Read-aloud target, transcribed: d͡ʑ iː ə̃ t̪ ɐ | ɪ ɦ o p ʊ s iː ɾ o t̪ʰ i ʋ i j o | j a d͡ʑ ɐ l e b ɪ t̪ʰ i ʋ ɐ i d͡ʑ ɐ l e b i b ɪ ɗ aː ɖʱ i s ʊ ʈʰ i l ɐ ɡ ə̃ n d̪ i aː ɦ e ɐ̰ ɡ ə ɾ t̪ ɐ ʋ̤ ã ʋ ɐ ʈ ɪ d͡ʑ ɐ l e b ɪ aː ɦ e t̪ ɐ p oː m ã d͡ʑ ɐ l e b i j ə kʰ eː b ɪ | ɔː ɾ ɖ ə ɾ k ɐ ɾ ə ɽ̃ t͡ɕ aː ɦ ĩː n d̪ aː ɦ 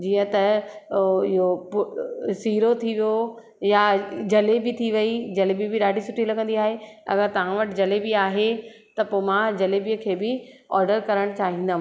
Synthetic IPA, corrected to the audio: d͡ʑ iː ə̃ t̪ ɐ | ɪ ɦ o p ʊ s iː ɾ o t̪ʰ i ʋ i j o | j a d͡ʑ ɐ l e b ɪ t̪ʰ i ʋ ɐ i d͡ʑ ɐ l e b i b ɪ ɗ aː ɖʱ i s ʊ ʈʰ i l ɐ ɡ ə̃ n d̪ i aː ɦ e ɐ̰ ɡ ə ɾ t̪ ɐ ʋ̤ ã ʋ ɐ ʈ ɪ d͡ʑ ɐ l e b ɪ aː ɦ e t̪ ɐ p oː m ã d͡ʑ ɐ l e b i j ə kʰ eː b ɪ | ɔː ɾ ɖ ə ɾ k ɐ ɾ ə ɽ̃ t͡ɕ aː ɦ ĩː n d̪ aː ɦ